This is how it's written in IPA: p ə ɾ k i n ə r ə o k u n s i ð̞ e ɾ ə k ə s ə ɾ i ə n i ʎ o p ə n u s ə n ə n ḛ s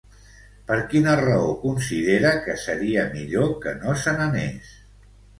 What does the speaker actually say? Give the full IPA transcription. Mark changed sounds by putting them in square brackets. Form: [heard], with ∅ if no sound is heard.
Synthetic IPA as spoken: p ə ɾ k i n ə r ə o k u n s i ð̞ e ɾ ə k ə s ə ɾ i ə [m] i ʎ o [k] ə n [o] s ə n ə n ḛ s